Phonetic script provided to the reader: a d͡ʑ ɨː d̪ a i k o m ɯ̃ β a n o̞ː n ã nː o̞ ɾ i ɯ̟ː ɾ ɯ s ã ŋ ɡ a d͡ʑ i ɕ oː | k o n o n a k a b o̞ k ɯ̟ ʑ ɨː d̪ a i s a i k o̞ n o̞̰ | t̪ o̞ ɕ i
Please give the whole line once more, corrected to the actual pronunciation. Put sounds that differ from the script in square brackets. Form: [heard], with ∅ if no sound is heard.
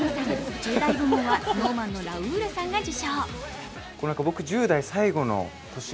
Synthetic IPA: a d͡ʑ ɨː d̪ a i [ɡ] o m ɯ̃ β a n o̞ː [m] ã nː o̞ ɾ [a] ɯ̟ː ɾ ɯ s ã ŋ ɡ a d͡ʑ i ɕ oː | k o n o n a k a b o̞ k ɯ̟ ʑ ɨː d̪ a i s a i [ɡ] o̞ n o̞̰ | t̪ o̞ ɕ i